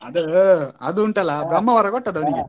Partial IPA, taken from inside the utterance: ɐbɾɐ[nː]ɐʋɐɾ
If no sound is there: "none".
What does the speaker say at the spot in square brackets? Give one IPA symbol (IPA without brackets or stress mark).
mː